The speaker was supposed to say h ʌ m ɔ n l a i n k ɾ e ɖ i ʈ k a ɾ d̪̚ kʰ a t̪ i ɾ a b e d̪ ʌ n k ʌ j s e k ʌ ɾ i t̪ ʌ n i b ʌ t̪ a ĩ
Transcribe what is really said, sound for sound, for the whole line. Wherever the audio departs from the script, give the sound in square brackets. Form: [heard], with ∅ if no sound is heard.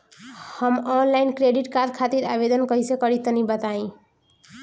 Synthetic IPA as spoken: h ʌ m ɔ n l a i n k ɾ e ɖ i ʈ k a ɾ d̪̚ kʰ a t̪ i ɾ a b e d̪ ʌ n k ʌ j s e k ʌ ɾ i t̪ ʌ n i b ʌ t̪ a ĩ